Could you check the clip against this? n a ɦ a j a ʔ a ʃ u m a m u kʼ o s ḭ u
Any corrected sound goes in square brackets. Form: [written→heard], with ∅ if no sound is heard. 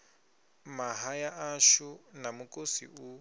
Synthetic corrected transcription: [n→m] a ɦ a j a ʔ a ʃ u [m→n] a m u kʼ o s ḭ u